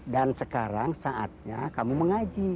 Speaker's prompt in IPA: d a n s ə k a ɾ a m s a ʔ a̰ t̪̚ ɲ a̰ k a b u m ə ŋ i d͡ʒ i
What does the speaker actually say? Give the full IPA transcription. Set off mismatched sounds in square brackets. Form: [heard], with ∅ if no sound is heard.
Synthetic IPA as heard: d a n s ə k a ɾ a [ŋ] s a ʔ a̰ t̪̚ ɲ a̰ k a [m] u m ə ŋ [a] d͡ʒ i